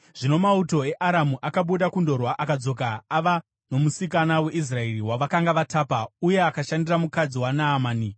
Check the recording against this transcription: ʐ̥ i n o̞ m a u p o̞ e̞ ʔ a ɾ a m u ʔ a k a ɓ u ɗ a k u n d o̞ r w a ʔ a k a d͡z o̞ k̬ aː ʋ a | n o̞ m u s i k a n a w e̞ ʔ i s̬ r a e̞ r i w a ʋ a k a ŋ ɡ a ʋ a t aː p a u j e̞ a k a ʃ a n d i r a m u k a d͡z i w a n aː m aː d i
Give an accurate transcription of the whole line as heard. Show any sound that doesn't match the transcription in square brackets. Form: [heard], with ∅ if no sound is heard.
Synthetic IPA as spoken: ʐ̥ i n o̞ m a u [t] o̞ e̞ ʔ a ɾ a m u ʔ a k a ɓ u ɗ a k u n d o̞ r w a ʔ a k a d͡z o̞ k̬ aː ʋ a | n o̞ m u s i k a n a w e̞ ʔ i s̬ r a e̞ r i w a ʋ a k a ŋ ɡ a ʋ a t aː p a u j e̞ a k a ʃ a n d i r a m u k a d͡z i w a n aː m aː [n] i